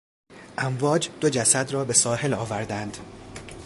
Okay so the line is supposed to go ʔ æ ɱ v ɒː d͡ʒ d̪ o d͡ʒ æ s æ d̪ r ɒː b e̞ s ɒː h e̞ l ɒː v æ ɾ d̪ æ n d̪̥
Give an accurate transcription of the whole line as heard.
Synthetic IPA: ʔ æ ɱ v ɒː d͡ʒ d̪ o d͡ʒ æ s æ d̪ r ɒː b e̞ s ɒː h e̞ l ɒː v æ ɾ d̪ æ n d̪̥